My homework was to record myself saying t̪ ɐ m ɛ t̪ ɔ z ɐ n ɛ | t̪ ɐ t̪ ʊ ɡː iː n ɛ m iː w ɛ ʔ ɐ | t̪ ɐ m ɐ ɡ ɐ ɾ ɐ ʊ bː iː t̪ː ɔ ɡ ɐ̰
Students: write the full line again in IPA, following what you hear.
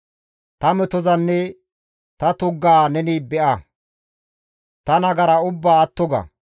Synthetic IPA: t̪ ɐ m ɛ t̪ ɔ z ɐ nː ɛ | t̪ ɐ t̪ ʊ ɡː aː n ɛ n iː b ɛ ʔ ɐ | t̪ ɐ n ɐ ɡ ɐ ɾ ɐ ʊ bː aː t̪ː ɔ ɡ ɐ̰

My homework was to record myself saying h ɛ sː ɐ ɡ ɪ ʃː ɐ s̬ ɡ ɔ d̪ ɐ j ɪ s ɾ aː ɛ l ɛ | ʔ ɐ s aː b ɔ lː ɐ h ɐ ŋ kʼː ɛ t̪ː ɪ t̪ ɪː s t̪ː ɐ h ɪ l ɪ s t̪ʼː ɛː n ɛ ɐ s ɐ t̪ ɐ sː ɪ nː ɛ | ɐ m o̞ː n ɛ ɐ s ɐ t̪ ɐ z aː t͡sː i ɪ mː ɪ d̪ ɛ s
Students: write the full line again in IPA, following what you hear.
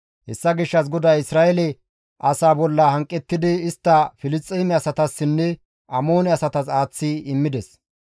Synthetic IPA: h ɛ sː ɐ ɡ ɪ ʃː ɐ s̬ ɡ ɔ d̪ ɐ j ɪ s ɾ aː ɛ l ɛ | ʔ ɐ s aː b ɔ lː ɐ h ɐ ŋ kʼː ɛ t̪ː ɪ d̪ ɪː s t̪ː ɐ f ɪ l ɪ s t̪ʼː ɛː m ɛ ɐ s ɐ t̪ ɐ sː ɪ nː ɛ | ɐ m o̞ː n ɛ ɐ s ɐ t̪ ɐ s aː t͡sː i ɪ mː ɪ d̪ ɛ s

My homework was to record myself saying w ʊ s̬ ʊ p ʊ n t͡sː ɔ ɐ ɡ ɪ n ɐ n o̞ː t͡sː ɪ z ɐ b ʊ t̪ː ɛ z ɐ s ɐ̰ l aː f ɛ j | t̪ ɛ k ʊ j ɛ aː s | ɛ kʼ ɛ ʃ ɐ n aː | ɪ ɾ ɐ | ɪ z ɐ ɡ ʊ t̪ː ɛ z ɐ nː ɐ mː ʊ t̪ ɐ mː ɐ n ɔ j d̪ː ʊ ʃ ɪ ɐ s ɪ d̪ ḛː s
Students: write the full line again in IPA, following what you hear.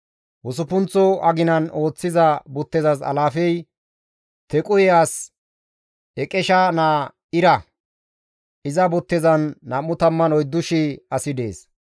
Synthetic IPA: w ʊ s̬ ʊ p ʊ n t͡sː ɔ ɐ ɡ ɪ n ɐ n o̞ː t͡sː ɪ z ɐ b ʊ t̪ː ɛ z ɐ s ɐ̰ l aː f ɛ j | t̪ ɛ kʼ ʊ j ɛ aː s | ɛ kʼ ɛ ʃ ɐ n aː | ɪ ɾ ɐ | ɪ z ɐ b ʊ t̪ː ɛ z ɐ nː ɐ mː ʊ t̪ ɐ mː ɐ n ɔ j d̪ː ʊ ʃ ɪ ɐ s ɪ d̪ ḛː s

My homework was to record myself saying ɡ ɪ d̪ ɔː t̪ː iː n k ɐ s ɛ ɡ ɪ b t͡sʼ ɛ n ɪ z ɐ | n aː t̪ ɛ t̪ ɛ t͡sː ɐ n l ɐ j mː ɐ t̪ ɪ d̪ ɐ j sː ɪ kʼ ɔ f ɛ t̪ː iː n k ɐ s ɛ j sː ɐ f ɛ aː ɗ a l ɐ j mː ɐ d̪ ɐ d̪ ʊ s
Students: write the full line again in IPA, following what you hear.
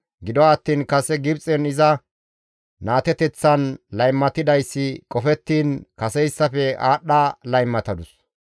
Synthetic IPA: ɡ ɪ d̪ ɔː t̪ː iː n k ɐ s ɛ ɡ ɪ b t͡sʼ ɛ n ɪ z ɐ | n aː t̪ ɛ t̪ ɛ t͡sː ɐ n l ɐ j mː ɐ t̪ ɪ d̪ ɐ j sː ɪ kʼ ɔ f ɛ t̪ː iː n k ɐ s ɛ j sː ɐ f ɛ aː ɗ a l ɐ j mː ɐ t̪ ɐ d̪ ʊ s

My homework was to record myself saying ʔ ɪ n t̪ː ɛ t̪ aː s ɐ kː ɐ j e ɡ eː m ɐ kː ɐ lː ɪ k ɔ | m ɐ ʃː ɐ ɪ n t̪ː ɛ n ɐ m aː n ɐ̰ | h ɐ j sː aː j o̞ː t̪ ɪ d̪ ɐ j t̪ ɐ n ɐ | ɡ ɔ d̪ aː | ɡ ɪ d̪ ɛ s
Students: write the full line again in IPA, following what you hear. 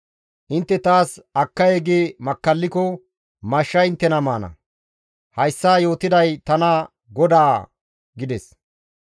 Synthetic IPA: ʔ ɪ n t̪ː ɛ t̪ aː s ɐ kː ɐ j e ɡ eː m ɐ kː ɐ lː ɪ k ɔ | m ɐ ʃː ɐ ɪ n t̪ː ɛ n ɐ m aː n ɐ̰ | h ɐ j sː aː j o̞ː t̪ ɪ d̪ ɐ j t̪ ɐ n ɐ | ɡ ɔ d̪ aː | ɡ ɪ d̪ ɛ s

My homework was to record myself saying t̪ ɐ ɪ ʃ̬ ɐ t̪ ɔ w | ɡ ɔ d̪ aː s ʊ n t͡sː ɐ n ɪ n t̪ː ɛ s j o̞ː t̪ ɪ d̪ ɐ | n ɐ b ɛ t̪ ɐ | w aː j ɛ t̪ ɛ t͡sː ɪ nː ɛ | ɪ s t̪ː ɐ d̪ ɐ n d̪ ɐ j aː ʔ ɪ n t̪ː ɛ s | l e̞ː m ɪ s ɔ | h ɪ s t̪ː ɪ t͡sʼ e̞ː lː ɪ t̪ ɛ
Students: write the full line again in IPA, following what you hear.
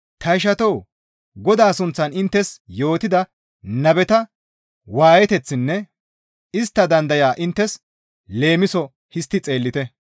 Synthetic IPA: t̪ ɐ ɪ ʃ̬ ɐ t̪ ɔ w | ɡ ɔ d̪ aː s ʊ n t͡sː ɐ n ɪ n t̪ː ɛ s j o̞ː t̪ ɪ d̪ ɐ | n ɐ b ɛ t̪ ɐ | w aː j ɛ t̪ ɛ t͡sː ɪ nː ɛ | ɪ s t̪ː ɐ d̪ ɐ n d̪ ɐ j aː ʔ ɪ n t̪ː ɛ s | l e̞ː m ɪ s ɔ | h ɪ s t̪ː ɪ t͡sʼ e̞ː lː ɪ t̪ ɛ

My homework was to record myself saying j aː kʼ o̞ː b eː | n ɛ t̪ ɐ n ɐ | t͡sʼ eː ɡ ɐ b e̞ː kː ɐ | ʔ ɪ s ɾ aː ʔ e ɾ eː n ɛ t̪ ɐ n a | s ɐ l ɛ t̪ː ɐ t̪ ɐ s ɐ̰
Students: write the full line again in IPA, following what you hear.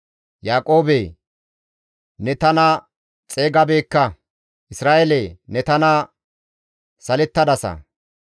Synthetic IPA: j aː kʼ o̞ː b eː | n ɛ t̪ ɐ n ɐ | t͡sʼ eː ɡ ɐ b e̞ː kː ɐ | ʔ ɪ s ɾ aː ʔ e l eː n ɛ t̪ ɐ n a | s ɐ l ɛ t̪ː ɐ d̪ ɐ s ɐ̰

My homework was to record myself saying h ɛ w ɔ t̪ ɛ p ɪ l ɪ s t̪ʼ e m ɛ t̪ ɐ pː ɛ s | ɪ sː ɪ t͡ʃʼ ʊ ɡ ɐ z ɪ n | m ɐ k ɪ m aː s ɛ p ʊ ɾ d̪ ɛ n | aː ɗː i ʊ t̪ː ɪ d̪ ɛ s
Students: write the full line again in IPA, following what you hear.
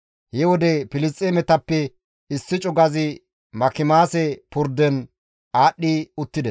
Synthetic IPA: h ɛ w ɔ d̪ ɛ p ɪ l ɪ s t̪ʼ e m ɛ t̪ ɐ pː ɛ | ɪ sː ɪ t͡ʃʼ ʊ ɡ ɐ z ɪ | m ɐ k ɪ m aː s ɛ p ʊ ɾ d̪ ɛ n | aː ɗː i ʊ t̪ː ɪ d̪ ɛ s

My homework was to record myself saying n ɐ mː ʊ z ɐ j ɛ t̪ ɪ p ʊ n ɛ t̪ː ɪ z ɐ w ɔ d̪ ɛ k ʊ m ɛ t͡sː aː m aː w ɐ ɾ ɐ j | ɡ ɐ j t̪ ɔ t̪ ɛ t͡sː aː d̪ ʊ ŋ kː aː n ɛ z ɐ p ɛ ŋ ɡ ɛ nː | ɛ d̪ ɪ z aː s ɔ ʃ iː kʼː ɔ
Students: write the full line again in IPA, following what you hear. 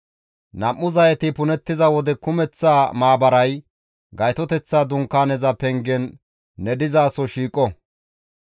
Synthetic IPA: n ɐ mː ʊ z ɐ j ɛ t̪ ɪ p ʊ n ɛ t̪ː ɪ z ɐ w ɔ d̪ ɛ k ʊ m ɛ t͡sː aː m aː b ɐ ɾ ɐ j | ɡ ɐ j t̪ ɔ t̪ ɛ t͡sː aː d̪ ʊ ŋ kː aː n ɛ z ɐ p ɛ ŋ ɡ ɛ nː | ɛ d̪ ɪ z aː s ɔ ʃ iː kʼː ɔ

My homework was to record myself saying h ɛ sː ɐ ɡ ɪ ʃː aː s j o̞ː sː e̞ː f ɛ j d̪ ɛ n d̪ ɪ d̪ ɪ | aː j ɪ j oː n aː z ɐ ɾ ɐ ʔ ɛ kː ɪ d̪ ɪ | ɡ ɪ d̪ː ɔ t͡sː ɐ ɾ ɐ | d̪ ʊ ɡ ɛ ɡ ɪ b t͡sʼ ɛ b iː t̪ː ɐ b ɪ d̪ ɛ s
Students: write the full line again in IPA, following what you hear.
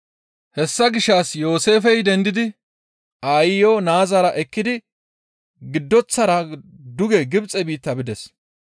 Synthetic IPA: h ɛ sː ɐ ɡ ɪ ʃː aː s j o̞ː s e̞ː f ɛ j d̪ ɛ n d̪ ɪ d̪ ɪ | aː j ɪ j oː n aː z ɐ ɾ ɐ ʔ ɛ kː ɪ d̪ ɪ | ɡ ɪ d̪ː ɔ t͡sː ɐ ɾ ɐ | d̪ ʊ ɡ ɛ ɡ ɪ b t͡sʼ ɛ b iː t̪ː ɐ b ɪ d̪ ɛ s

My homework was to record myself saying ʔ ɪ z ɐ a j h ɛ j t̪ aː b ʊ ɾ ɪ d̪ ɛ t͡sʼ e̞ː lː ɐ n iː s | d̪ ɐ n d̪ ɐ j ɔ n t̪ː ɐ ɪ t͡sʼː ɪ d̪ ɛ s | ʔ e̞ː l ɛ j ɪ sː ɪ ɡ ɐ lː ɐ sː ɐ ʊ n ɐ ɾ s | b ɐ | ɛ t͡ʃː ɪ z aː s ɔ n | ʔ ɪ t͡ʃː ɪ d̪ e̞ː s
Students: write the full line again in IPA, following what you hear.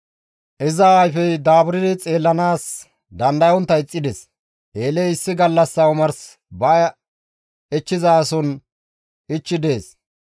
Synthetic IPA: ʔ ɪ z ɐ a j f ɛ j d̪ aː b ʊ ɾ ɪ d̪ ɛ t͡sʼ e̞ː lː ɐ n aː s | d̪ ɐ n d̪ ɐ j ɔ n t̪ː ɐ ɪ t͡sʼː ɪ d̪ ɛ s | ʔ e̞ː l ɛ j ɪ sː ɪ ɡ ɐ lː ɐ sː ɐ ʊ m ɐ ɾ s | b ɐ | ɛ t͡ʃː ɪ z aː s ɔ n | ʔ ɪ t͡ʃː ɪ d̪ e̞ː s

